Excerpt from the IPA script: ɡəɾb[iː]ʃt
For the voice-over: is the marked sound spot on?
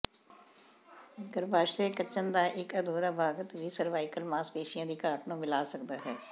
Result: no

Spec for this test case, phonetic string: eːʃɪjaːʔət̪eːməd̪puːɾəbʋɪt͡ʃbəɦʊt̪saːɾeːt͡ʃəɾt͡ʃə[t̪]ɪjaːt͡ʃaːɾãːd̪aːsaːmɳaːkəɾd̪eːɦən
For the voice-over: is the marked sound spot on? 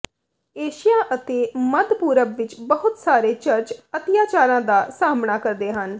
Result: yes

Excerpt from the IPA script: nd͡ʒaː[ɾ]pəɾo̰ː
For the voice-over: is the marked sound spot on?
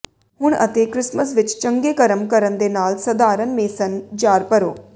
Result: yes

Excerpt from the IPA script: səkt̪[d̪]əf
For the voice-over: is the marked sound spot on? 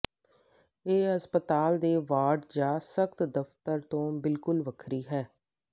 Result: yes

